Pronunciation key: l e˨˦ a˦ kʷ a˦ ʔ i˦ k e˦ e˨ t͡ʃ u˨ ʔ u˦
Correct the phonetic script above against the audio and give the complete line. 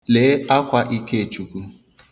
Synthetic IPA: l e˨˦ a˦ kʷ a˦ ʔ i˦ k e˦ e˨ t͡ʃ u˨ k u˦

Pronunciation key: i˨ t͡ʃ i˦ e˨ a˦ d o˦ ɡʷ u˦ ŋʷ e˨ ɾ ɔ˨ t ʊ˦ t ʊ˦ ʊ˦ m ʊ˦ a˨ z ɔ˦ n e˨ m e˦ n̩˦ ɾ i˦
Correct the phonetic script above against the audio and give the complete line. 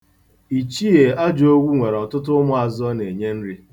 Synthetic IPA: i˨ t͡ʃ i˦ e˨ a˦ d͡ʒ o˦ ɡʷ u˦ ŋʷ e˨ ɾ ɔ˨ t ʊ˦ t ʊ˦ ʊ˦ m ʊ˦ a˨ z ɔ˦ n e˨ ɲ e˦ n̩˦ ɾ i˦

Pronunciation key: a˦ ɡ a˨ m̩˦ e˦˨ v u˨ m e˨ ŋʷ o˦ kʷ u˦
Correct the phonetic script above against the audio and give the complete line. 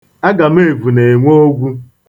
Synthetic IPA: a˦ ɡ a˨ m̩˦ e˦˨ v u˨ n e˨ ŋʷ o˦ ɡʷ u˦

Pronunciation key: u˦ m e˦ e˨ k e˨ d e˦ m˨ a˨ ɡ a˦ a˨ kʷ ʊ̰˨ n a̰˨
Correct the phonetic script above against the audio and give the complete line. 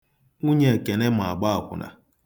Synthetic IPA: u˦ ɲ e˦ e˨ k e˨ n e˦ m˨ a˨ ɡ͡b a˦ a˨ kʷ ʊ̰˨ n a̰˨

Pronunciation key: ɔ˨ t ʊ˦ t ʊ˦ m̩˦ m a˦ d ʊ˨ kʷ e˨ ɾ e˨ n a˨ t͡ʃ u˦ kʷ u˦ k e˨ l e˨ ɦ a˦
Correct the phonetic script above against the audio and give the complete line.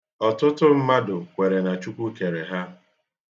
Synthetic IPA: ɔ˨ t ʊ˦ t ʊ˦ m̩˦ m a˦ d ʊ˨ kʷ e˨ ɾ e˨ n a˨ t͡ʃ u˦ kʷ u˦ k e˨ ɾ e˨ ɦ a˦

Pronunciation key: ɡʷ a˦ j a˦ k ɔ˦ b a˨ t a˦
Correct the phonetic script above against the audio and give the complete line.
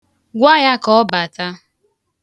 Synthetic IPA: ɡʷ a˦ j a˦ k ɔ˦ b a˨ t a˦

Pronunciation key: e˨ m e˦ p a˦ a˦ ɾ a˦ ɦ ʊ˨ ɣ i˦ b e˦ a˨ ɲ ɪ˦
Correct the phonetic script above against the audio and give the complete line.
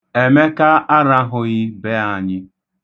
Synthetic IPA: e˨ m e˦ k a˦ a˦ ɾ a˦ ɦ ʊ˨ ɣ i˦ b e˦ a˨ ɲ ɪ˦

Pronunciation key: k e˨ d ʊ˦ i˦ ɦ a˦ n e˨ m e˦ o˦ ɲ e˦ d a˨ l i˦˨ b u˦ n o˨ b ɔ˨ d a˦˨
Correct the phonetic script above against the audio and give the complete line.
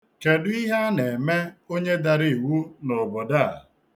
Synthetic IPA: k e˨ d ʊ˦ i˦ ɦ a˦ n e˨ m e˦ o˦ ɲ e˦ d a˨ ɾ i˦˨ w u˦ n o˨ b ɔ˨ d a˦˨

